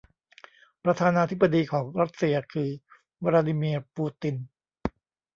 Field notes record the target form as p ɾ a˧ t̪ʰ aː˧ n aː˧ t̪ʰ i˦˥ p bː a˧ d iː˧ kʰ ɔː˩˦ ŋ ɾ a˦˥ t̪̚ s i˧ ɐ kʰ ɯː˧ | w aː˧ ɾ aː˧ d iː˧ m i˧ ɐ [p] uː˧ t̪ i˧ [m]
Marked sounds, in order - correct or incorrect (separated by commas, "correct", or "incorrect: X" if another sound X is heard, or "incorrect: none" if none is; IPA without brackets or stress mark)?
correct, incorrect: n